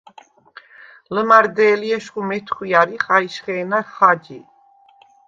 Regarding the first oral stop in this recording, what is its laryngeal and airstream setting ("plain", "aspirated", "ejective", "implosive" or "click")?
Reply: plain